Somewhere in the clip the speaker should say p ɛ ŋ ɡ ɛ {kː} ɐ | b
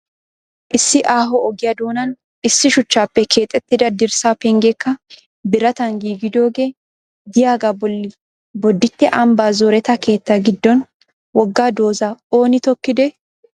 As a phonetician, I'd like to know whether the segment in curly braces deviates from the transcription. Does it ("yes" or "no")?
no